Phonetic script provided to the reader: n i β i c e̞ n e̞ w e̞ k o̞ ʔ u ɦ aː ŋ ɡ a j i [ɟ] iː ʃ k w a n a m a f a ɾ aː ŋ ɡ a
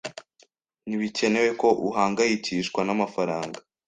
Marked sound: incorrect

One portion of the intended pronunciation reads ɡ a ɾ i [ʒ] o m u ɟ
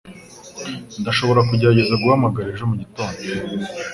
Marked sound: correct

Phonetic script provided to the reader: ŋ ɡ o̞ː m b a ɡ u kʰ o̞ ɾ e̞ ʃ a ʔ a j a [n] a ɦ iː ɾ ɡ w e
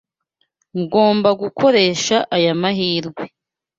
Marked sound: incorrect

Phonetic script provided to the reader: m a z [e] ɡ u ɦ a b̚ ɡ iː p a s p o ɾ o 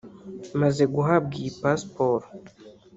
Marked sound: correct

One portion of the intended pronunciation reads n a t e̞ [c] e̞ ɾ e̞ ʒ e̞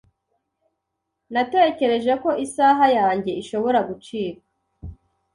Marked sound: correct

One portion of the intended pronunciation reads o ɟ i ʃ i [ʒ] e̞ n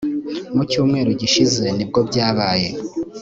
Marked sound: incorrect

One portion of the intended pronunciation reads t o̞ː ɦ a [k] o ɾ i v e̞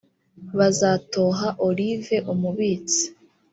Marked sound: incorrect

